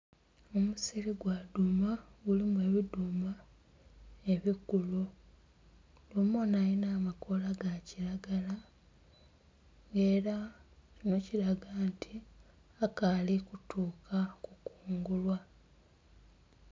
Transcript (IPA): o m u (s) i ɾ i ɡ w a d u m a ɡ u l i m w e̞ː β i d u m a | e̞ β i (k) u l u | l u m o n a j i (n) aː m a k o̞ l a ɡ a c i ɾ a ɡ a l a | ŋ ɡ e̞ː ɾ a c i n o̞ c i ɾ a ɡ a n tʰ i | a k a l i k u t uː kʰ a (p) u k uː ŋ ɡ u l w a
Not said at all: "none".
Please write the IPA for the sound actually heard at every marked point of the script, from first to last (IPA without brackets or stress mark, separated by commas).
s, k, n, k